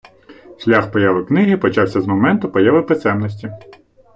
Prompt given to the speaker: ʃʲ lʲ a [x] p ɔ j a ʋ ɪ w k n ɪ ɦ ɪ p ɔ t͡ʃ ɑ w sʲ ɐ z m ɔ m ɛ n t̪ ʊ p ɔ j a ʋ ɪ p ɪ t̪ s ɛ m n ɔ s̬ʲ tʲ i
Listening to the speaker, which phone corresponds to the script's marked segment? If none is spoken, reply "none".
x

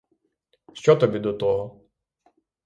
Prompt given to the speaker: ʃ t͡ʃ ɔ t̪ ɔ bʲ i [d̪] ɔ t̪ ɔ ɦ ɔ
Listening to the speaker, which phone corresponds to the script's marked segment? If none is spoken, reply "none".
d̪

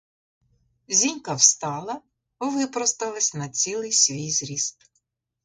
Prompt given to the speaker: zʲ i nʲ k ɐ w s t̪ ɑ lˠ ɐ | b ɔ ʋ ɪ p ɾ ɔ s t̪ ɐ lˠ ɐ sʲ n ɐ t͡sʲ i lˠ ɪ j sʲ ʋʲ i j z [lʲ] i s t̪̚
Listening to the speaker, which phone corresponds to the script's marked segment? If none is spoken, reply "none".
ɾʲ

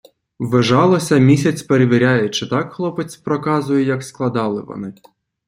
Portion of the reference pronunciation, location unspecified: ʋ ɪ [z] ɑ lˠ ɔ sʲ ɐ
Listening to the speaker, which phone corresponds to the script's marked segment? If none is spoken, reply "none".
ʒ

